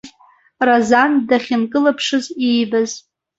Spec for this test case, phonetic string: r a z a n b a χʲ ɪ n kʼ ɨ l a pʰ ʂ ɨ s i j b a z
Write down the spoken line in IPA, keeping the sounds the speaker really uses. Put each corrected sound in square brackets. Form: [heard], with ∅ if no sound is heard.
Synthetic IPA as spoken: r a z a n [d] a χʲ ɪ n kʼ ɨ l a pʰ ʂ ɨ [z] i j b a z